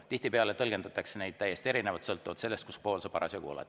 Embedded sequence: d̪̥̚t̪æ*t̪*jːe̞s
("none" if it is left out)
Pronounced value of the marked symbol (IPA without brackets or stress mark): none